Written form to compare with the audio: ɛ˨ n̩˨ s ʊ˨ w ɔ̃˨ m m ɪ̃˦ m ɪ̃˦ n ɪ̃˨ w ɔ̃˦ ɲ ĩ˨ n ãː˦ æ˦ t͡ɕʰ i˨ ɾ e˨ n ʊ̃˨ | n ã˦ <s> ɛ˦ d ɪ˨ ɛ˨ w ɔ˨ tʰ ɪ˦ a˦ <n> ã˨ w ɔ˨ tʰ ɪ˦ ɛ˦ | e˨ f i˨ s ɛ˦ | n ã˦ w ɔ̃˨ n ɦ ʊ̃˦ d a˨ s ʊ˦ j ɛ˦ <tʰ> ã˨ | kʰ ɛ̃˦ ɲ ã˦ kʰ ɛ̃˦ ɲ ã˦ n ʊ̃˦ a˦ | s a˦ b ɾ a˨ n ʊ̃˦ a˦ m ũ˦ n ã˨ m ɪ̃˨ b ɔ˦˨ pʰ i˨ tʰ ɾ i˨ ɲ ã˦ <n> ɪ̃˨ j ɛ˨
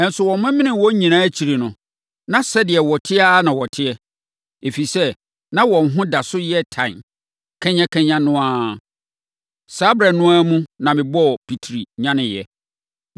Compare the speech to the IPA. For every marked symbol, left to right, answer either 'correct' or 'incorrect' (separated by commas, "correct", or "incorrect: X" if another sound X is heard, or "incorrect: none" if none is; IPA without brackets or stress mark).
correct, correct, correct, correct